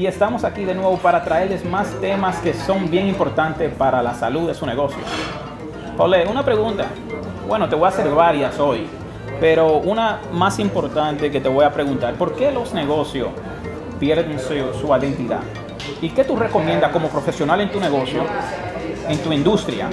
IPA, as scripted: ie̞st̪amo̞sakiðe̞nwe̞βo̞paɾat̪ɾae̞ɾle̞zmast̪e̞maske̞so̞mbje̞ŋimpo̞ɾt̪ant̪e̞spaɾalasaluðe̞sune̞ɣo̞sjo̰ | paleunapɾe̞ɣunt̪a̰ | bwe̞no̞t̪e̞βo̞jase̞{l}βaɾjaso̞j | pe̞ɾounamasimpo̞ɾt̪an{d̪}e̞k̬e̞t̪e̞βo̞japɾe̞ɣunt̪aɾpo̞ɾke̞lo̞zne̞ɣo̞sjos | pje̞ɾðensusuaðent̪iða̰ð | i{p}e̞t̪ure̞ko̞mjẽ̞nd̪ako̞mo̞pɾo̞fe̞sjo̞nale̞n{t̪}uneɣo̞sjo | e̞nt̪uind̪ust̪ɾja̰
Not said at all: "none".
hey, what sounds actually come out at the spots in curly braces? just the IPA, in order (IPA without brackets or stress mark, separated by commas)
ɾ, t̪, k, t̪